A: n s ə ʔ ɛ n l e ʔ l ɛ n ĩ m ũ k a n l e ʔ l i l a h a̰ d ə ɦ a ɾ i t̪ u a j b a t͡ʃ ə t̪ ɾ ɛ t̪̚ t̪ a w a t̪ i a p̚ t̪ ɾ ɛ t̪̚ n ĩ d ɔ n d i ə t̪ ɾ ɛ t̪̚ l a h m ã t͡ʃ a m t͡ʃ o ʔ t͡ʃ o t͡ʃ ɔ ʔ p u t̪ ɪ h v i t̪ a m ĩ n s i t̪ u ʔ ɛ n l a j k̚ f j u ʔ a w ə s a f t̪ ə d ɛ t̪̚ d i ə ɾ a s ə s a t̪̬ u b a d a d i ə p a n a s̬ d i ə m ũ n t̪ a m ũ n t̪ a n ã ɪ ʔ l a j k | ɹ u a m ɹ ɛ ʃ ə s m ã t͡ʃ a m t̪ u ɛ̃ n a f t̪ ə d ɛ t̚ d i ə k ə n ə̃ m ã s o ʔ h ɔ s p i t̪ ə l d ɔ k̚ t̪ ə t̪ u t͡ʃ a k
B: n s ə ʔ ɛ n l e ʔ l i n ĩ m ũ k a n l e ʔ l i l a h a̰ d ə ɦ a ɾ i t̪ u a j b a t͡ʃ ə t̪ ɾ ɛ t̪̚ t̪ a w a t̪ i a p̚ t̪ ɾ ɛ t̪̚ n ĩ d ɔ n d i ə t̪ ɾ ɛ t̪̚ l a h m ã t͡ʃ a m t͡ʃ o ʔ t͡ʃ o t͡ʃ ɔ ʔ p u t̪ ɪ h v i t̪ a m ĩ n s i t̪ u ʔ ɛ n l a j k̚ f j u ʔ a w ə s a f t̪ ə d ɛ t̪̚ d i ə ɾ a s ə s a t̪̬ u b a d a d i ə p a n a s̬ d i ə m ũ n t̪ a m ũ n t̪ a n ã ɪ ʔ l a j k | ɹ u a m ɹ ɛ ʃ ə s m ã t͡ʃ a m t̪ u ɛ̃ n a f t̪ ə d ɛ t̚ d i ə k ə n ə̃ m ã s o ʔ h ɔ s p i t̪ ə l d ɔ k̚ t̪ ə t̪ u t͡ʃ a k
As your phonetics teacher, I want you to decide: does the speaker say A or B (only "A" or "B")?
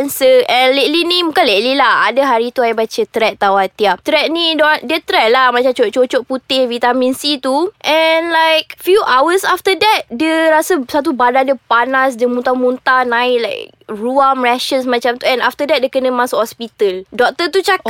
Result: B